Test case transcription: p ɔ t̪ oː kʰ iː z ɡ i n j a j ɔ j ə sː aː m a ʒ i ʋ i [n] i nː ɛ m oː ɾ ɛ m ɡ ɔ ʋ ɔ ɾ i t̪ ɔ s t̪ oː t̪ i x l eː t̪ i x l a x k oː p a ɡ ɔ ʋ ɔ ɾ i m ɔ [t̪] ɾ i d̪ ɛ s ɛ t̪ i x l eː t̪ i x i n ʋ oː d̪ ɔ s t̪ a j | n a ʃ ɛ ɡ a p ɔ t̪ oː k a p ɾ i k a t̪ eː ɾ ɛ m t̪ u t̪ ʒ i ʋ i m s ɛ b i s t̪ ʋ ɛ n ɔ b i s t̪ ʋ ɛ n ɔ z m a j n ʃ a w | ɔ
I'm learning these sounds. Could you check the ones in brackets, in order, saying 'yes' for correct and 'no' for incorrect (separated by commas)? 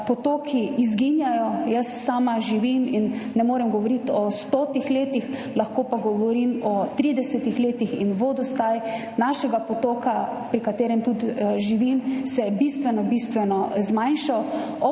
no, yes